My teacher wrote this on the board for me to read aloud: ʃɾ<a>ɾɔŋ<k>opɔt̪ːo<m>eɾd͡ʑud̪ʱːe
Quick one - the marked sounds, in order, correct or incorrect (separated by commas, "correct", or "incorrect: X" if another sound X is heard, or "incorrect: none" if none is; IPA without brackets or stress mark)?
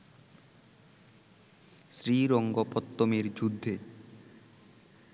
incorrect: i, incorrect: ɡ, correct